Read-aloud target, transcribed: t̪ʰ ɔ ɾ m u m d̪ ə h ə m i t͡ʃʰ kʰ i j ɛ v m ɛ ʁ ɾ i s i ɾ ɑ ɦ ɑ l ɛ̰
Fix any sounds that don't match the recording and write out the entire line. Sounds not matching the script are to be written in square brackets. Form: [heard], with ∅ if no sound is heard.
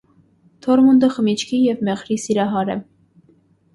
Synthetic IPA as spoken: t̪ʰ ɔ ɾ m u [n] d̪ ə [χ] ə m i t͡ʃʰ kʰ i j ɛ v m ɛ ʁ ɾ i s i ɾ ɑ ɦ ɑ [ɾ] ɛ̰